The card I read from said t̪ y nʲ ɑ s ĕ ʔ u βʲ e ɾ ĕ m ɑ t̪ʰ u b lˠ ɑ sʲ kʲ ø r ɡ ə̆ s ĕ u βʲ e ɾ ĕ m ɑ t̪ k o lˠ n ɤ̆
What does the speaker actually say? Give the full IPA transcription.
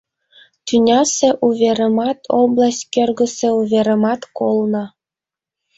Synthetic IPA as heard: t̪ y nʲ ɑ s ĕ ʔ u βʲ e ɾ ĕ m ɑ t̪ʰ o b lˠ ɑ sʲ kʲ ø r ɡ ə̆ s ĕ u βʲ e ɾ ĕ m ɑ t̪ k o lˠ n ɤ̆